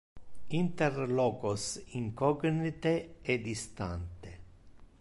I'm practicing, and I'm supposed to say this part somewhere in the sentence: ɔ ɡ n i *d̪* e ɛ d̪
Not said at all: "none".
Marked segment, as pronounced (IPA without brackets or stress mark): t̪